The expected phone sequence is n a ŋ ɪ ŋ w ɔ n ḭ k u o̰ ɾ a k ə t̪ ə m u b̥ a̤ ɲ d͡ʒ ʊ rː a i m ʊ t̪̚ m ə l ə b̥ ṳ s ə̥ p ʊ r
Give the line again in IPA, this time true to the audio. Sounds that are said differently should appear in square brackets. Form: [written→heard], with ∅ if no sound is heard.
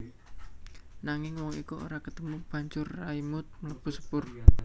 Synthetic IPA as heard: n a ŋ ɪ ŋ w ɔ [n→ŋ] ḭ k u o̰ ɾ a k ə t̪ ə m u b̥ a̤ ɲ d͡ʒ ʊ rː a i m ʊ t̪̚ m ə l ə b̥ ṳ s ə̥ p ʊ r